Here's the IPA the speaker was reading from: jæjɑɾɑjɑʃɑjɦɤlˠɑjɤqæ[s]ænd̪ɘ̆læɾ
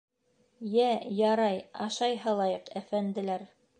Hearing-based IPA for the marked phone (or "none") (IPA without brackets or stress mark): f